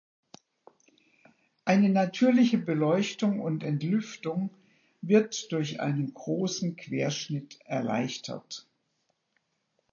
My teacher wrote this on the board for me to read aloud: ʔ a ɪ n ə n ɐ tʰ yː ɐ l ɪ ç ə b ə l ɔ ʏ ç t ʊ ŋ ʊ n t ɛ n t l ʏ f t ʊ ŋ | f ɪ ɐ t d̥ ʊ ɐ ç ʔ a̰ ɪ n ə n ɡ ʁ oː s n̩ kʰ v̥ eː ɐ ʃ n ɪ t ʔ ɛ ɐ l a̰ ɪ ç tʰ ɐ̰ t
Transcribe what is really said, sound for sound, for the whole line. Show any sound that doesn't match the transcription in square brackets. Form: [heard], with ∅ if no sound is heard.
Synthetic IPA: ʔ a ɪ n ə n [a] tʰ yː ɐ l ɪ ç ə b ə l ɔ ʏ ç t ʊ ŋ ʊ n t ɛ n t l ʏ f t ʊ ŋ | [v] ɪ ɐ t d̥ ʊ ɐ ç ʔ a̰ ɪ n ə n ɡ ʁ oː s n̩ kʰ v̥ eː ɐ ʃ n ɪ t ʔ ɛ ɐ l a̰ ɪ ç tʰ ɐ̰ t

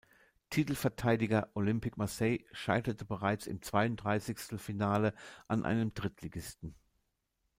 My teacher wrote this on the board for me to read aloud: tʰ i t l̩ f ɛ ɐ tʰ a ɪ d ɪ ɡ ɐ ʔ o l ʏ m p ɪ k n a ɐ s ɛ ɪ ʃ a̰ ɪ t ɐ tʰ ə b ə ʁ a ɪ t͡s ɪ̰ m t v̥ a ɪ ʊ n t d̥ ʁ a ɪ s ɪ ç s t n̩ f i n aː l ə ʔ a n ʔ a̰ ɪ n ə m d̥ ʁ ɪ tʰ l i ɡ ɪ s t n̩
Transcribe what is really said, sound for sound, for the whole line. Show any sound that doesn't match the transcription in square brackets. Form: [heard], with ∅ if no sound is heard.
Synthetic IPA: tʰ i t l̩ f ɛ ɐ tʰ a ɪ d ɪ ɡ ɐ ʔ o l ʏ m p ɪ k [m] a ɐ s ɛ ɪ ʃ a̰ ɪ t ɐ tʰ ə b ə ʁ a ɪ t͡s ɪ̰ m [t͡s] v̥ a ɪ ʊ n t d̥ ʁ a ɪ s ɪ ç s t n̩ f i n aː l ə ʔ a n ʔ a̰ ɪ n ə m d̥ ʁ ɪ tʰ l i ɡ ɪ s t n̩

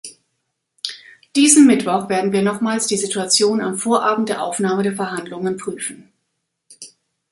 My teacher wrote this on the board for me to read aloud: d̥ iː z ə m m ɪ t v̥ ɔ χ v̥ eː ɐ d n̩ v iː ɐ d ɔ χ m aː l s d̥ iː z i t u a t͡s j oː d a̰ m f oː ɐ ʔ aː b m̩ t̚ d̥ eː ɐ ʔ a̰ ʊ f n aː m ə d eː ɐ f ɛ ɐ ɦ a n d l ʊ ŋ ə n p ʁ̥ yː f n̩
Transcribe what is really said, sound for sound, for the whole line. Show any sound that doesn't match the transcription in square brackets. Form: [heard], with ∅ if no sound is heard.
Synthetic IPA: d̥ iː z ə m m ɪ t v̥ ɔ χ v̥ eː ɐ d n̩ v iː ɐ [n] ɔ χ m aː l s d̥ iː z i t u a t͡s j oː [n] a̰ m f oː ɐ ʔ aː b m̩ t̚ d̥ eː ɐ ʔ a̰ ʊ f n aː m ə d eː ɐ f ɛ ɐ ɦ a n d l ʊ ŋ ə n p ʁ̥ yː f n̩

